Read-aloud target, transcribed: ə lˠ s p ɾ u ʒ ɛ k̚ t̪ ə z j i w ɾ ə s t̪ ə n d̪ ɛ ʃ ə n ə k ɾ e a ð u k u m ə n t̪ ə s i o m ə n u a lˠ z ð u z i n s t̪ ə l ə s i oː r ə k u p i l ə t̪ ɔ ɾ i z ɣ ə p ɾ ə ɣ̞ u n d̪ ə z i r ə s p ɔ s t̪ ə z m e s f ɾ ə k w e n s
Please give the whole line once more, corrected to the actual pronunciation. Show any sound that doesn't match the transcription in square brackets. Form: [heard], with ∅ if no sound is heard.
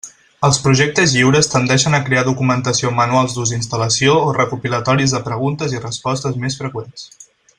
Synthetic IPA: ə lˠ s p ɾ u ʒ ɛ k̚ t̪ ə z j i w ɾ ə s t̪ ə n d̪ ɛ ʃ ə n ə k ɾ e a ð u k u m ə n t̪ ə s i o m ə n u a lˠ z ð u z i n s t̪ ə l ə s i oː r ə k u p i l ə t̪ ɔ ɾ i z [ð] ə p ɾ ə ɣ̞ u n [t̪] ə z i r ə s p ɔ s t̪ ə z m e s f ɾ ə k w e n s